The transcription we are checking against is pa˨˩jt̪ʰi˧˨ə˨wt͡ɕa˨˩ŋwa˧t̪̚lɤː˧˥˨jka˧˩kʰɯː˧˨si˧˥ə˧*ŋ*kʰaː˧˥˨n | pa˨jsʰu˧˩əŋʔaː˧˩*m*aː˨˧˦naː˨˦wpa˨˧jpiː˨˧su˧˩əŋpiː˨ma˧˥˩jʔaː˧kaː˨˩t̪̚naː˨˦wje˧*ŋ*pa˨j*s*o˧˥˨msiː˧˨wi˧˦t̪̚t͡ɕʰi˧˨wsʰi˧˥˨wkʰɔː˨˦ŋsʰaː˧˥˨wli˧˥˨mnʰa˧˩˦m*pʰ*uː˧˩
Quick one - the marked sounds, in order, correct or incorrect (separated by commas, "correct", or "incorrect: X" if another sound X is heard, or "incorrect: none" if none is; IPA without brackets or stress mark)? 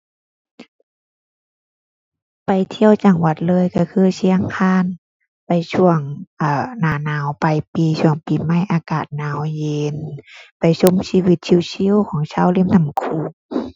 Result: correct, incorrect: n, incorrect: n, correct, incorrect: kʰ